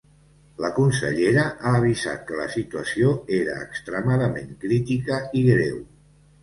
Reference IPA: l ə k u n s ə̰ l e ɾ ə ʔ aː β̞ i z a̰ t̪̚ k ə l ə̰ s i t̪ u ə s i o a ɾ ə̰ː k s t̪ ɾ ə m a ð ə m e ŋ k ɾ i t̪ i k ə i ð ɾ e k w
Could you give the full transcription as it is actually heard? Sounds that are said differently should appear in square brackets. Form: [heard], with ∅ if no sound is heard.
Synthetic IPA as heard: l ə k u n s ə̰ [ʎ] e ɾ ə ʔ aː β̞ i z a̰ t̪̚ k ə l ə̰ s i t̪ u ə s i o [e] ɾ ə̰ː k s t̪ ɾ ə m a ð ə m e ŋ k ɾ i t̪ i k ə i [ɣ] ɾ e [∅] w